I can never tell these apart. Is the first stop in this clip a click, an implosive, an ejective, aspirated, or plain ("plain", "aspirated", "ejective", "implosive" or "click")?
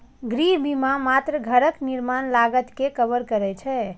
plain